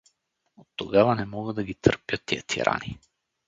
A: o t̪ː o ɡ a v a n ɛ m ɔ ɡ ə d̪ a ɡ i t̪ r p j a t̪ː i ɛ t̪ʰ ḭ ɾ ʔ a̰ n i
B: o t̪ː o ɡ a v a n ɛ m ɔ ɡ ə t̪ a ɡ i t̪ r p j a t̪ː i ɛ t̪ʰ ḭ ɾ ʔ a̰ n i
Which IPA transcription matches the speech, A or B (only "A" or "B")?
A